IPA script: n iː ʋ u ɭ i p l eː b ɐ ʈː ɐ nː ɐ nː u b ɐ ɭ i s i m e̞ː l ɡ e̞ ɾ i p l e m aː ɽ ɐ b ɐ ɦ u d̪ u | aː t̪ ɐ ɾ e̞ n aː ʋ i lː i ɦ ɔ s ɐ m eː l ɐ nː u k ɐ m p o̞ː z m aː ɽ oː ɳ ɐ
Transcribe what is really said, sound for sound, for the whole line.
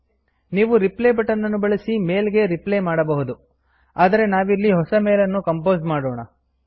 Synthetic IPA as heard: n iː ʋ u ɾ i p l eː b ɐ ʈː ɐ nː ɐ nː u b ɐ ɭ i s i m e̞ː l ɡ e̞ ɾ i p l e m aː ɽ ɐ b ɐ ɦ u d̪ u | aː d̪ ɐ ɾ e̞ n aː ʋ i lː i ɦ ɔ s ɐ m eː l ɐ nː u k ɐ m p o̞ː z m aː ɽ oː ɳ ɐ